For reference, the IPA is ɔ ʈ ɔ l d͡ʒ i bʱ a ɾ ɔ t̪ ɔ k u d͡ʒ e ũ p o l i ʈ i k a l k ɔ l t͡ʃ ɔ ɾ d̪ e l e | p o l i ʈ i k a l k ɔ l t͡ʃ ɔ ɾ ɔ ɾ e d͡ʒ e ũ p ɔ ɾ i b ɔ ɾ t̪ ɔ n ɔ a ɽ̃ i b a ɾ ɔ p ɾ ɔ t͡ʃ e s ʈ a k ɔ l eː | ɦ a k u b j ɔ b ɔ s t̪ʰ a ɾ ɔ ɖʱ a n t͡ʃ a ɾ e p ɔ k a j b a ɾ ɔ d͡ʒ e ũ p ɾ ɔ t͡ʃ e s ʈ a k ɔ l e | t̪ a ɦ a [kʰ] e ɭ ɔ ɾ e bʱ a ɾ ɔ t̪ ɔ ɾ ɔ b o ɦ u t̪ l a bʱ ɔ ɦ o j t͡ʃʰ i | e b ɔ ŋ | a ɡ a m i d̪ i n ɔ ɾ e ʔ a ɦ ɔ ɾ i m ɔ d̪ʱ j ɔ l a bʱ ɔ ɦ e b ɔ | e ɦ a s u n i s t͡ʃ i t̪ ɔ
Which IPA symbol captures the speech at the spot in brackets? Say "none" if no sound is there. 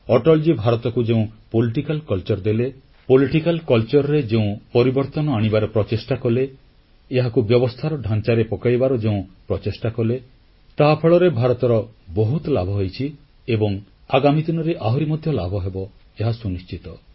pʰ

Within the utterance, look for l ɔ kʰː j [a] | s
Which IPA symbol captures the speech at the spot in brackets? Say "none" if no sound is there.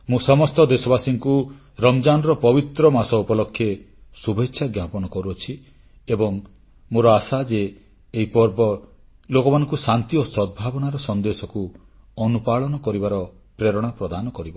e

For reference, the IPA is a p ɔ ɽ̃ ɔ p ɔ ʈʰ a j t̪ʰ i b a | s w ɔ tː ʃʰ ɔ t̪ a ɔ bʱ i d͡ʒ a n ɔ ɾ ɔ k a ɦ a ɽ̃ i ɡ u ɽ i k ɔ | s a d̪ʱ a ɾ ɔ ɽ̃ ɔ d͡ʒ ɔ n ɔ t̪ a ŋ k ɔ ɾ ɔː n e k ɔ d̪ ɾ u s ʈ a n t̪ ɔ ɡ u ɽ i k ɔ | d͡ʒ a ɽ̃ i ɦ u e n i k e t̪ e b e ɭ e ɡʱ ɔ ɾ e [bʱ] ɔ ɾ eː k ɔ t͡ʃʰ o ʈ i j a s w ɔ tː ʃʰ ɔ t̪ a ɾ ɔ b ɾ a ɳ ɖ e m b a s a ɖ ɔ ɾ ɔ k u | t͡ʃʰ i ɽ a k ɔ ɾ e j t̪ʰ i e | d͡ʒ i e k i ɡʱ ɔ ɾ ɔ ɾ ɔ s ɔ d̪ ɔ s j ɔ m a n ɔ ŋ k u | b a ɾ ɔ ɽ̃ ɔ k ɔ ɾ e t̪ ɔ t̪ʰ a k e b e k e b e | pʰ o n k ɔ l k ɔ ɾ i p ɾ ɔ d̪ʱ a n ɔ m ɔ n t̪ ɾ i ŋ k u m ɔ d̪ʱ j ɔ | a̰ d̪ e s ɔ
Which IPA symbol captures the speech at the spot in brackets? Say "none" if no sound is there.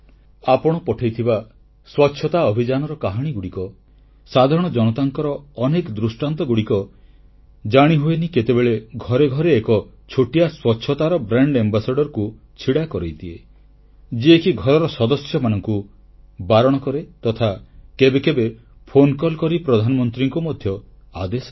ɡʱ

